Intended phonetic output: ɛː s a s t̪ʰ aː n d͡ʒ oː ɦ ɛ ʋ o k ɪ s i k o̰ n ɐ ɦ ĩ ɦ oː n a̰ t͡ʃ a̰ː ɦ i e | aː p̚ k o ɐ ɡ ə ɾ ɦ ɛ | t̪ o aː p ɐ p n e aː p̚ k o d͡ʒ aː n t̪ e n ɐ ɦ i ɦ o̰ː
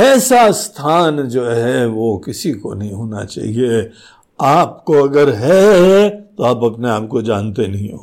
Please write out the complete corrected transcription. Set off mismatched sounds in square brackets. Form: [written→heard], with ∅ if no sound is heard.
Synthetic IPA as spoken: ɛː s a s t̪ʰ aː n d͡ʒ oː ɦ ɛ ʋ o k ɪ s i k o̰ n ɐ ɦ ĩ ɦ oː n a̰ t͡ʃ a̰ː ɦ i e | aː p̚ k o ɐ ɡ ə ɾ ɦ ɛ | t̪ o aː p ɐ p n e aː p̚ k o d͡ʒ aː n t̪ e n ɐ ɦ [i→ĩ] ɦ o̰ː